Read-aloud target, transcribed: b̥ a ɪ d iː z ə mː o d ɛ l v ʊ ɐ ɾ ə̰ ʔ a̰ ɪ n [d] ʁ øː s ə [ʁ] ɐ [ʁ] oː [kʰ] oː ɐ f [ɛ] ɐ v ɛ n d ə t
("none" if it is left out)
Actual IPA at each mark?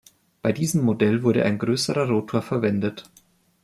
ɡ, ʁ, ʁ, tʰ, ɛ

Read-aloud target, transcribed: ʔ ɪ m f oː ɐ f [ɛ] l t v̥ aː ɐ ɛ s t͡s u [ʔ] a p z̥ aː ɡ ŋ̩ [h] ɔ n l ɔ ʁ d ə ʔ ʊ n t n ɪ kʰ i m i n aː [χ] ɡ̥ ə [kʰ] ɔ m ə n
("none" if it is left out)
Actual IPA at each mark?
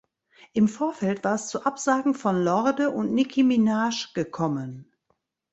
ɛ, ʔ, f, ʃ, kʰ

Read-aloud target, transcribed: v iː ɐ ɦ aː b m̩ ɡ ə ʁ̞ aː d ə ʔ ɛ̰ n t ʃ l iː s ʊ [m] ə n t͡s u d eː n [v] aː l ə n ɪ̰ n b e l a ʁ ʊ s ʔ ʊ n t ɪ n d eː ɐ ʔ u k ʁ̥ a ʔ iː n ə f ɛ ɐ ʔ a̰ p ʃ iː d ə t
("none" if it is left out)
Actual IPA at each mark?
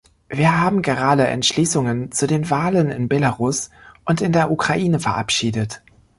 ŋ, v

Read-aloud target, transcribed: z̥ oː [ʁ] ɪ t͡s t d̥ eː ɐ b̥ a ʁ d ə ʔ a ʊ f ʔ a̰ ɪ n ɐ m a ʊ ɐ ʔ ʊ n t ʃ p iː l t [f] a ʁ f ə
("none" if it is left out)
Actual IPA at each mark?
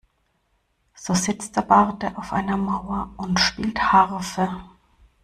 z, h

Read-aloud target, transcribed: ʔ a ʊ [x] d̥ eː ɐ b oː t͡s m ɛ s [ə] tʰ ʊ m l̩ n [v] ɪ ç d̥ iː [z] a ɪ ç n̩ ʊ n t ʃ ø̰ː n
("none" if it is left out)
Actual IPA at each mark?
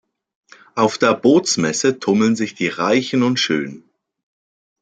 f, ə, z, ʁ

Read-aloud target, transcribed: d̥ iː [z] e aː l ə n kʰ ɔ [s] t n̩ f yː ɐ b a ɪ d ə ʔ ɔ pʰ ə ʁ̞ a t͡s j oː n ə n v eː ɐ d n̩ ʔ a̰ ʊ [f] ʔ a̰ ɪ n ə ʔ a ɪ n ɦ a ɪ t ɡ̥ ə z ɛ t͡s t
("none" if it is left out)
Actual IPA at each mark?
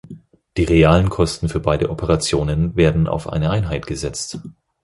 ʁ, s, f

